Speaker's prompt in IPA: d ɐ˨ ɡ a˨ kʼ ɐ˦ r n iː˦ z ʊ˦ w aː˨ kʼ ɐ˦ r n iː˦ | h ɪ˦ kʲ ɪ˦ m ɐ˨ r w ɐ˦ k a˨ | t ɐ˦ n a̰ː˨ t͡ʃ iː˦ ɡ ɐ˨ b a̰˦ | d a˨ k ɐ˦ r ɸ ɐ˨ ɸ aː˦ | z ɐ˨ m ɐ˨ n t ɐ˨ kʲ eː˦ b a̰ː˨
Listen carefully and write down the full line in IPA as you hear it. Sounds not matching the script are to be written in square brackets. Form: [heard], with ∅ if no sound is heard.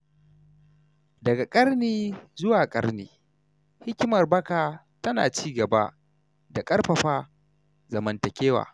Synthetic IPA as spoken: d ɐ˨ ɡ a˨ kʼ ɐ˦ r n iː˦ z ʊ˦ w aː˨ kʼ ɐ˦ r n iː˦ | h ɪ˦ kʲ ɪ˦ m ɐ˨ r [b] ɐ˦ k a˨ | t ɐ˦ n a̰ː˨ t͡ʃ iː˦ ɡ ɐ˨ b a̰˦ | d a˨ [kʼ] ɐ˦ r ɸ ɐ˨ ɸ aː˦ | z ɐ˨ m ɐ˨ n t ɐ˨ kʲ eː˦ [w] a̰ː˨

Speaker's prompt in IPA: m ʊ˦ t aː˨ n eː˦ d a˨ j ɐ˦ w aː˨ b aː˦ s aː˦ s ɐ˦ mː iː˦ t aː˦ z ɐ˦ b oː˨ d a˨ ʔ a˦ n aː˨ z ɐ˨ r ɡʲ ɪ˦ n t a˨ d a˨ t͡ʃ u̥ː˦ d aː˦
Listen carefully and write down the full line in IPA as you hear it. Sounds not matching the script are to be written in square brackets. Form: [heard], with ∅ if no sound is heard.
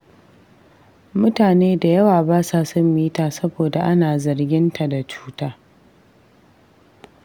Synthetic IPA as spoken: m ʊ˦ t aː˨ n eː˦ d a˨ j ɐ˦ w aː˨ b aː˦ s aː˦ s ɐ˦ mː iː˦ t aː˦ [s] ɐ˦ b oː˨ d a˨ ʔ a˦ n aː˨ z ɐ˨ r ɡʲ ɪ˦ n t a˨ d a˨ t͡ʃ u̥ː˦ [t] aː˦

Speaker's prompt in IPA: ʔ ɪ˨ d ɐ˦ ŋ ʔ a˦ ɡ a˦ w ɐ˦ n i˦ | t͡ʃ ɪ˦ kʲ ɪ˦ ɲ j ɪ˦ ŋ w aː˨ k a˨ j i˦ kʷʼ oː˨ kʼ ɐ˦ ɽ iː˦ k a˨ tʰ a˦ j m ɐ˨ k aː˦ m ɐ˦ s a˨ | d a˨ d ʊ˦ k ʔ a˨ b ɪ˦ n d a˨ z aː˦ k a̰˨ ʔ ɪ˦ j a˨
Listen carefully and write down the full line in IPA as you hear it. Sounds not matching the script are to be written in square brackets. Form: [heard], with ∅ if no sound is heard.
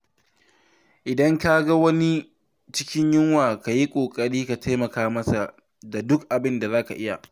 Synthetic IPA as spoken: ʔ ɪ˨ d ɐ˦ ŋ [k] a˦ ɡ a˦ w ɐ˦ n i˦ | t͡ʃ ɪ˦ kʲ ɪ˦ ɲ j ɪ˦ ŋ w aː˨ k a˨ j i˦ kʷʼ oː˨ kʼ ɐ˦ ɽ iː˦ k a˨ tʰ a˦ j m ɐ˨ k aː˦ m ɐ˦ s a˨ | d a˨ d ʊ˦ k ʔ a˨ b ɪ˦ n d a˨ z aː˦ k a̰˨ ʔ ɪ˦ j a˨

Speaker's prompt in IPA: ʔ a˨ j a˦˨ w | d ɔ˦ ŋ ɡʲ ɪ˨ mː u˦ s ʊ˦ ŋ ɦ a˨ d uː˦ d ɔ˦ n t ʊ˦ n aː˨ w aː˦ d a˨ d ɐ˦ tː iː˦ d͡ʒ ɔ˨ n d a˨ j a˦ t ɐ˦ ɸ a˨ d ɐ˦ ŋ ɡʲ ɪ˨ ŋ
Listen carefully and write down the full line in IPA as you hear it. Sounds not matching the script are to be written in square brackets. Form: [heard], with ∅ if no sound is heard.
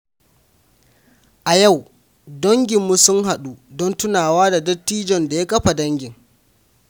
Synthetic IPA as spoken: ʔ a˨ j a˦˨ w | d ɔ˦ ŋ ɡʲ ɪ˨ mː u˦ s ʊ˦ ŋ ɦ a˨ [ɗ] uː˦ d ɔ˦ n t ʊ˦ n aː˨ w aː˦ d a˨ d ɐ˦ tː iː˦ d͡ʒ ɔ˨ n d a˨ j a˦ [k] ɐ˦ ɸ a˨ d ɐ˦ ŋ ɡʲ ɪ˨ ŋ

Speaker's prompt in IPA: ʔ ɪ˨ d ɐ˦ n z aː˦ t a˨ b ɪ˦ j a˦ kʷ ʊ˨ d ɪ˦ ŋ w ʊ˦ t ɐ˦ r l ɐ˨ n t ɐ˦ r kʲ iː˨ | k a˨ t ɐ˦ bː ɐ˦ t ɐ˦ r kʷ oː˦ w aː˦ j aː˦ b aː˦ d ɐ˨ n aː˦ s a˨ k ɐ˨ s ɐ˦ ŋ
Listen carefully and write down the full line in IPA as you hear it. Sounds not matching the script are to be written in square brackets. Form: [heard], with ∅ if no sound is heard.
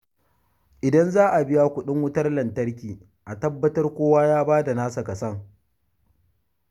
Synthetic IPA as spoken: ʔ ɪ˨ d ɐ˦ n z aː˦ [ʔ] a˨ b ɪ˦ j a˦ kʷ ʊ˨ [ɗ] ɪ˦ ŋ w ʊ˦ t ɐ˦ r l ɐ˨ n t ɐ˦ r kʲ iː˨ | [ʔ] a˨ t ɐ˦ bː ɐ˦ t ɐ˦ r kʷ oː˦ w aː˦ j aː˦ b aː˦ d [a˨] n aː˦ s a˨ k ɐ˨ s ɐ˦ ŋ

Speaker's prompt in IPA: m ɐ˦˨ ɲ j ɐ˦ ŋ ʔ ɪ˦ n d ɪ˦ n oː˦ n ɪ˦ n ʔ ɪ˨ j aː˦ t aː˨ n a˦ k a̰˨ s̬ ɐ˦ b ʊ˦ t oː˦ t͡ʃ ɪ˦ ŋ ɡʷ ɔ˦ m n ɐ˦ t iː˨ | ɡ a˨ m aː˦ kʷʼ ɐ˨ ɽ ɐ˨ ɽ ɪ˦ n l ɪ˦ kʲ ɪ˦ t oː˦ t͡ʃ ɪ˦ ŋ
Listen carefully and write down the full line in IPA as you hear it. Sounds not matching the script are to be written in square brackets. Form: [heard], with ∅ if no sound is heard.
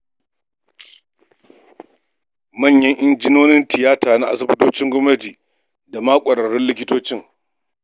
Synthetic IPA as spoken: m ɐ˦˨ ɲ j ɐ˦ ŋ ʔ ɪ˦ n [d͡ʒ] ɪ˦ n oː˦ n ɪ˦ n [t] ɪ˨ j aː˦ t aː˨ n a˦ [ʔ] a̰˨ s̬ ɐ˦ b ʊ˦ t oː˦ t͡ʃ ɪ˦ ŋ ɡʷ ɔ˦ m n ɐ˦ t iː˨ | [d] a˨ m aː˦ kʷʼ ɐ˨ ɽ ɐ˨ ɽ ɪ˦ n l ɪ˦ kʲ ɪ˦ t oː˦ t͡ʃ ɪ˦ ŋ

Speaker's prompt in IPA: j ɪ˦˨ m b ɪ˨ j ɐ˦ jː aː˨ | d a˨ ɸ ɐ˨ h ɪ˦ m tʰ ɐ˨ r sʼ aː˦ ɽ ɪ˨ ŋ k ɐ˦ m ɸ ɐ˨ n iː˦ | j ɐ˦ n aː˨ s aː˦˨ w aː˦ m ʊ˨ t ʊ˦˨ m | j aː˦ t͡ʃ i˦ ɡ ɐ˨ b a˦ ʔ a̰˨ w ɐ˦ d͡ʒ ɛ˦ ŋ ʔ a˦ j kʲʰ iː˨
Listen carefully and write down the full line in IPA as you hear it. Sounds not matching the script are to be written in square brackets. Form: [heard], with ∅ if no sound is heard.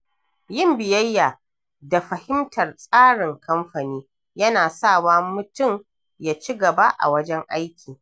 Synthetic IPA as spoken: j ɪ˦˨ m b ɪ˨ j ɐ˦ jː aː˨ | d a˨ ɸ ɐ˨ h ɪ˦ m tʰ ɐ˨ r sʼ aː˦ ɽ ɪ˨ ŋ k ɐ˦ m ɸ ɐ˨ n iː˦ | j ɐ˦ n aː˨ s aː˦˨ w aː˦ m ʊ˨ t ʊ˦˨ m | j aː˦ t͡ʃ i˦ ɡ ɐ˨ b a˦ ʔ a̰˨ w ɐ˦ d͡ʒ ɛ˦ ŋ ʔ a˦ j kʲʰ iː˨

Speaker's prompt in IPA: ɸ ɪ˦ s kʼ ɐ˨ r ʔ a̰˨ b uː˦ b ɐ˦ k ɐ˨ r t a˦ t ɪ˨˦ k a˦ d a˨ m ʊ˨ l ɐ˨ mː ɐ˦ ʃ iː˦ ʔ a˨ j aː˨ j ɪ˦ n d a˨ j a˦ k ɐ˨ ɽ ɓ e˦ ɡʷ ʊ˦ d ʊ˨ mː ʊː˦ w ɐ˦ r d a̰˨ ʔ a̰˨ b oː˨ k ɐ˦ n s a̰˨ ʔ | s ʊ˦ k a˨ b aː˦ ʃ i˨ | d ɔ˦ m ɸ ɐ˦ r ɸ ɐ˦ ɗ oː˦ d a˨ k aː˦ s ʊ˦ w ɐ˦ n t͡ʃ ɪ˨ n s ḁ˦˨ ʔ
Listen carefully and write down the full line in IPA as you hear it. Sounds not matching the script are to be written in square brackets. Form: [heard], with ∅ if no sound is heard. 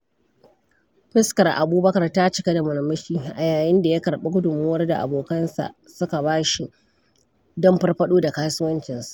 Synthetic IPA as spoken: ɸ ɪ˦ s [k] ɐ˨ r ʔ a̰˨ b uː˦ b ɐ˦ k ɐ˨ r t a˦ [t͡ʃ] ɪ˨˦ k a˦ d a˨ m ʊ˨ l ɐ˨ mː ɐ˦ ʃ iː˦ ʔ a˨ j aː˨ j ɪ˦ n d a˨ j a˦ k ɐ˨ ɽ ɓ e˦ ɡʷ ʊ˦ d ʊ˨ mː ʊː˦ w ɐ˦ r d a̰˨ ʔ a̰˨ b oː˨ k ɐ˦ n s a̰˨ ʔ | s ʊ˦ k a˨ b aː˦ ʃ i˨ | d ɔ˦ m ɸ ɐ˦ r ɸ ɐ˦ ɗ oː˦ d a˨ k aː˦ s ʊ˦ w ɐ˦ n t͡ʃ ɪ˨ n s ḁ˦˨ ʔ

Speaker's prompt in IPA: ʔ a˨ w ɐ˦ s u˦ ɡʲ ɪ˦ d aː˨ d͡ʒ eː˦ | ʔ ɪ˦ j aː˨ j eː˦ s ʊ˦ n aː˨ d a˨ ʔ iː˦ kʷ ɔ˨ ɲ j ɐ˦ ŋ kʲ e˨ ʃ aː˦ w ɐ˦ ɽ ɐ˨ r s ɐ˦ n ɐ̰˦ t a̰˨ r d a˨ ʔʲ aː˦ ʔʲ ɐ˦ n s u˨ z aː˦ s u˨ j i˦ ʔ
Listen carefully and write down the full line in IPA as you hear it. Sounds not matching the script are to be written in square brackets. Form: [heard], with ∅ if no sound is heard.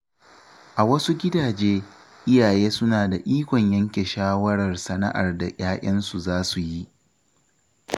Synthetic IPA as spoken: ʔ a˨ w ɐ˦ s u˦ ɡʲ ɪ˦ d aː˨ d͡ʒ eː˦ | ʔ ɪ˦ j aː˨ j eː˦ s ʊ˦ n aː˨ d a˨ ʔ iː˦ kʷ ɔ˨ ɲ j ɐ˦ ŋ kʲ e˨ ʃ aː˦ w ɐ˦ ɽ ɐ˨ r s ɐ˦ n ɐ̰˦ [ʔ] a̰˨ r d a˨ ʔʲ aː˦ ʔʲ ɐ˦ n s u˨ z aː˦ s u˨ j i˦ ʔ

